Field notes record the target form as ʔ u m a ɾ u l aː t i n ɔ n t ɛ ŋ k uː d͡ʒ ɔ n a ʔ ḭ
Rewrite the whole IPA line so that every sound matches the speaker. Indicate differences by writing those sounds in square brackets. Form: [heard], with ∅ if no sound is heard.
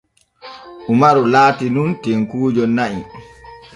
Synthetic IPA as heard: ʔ u m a ɾ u l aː t i n [u] n t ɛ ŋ k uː d͡ʒ ɔ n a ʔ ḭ